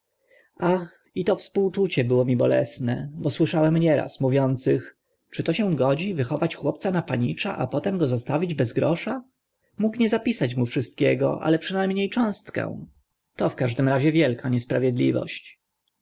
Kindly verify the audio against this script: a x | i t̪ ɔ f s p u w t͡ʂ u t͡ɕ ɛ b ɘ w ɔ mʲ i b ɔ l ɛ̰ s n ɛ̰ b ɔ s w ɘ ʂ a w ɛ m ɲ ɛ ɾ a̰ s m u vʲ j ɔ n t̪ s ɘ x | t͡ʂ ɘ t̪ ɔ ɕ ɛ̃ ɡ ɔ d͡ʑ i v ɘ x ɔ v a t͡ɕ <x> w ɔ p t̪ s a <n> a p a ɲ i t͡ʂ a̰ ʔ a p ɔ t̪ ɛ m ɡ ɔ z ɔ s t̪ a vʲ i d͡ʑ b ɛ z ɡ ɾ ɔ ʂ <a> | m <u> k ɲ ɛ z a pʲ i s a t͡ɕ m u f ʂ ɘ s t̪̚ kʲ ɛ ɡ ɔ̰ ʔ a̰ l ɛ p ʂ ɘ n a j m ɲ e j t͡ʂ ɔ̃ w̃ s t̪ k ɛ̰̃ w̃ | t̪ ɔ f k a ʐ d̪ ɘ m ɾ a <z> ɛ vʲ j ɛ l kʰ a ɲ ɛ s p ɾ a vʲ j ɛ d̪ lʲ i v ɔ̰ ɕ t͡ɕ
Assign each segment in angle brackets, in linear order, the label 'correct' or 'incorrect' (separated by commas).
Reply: correct, correct, correct, correct, incorrect